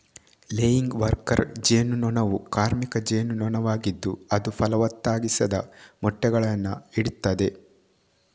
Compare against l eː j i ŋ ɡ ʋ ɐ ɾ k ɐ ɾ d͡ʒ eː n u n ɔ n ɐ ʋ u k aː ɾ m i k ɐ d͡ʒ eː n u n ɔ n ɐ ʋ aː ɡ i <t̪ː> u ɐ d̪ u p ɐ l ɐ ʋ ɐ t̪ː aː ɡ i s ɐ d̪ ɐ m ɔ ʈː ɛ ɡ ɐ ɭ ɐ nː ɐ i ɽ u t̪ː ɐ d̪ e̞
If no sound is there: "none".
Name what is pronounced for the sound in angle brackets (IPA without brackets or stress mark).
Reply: d̪ː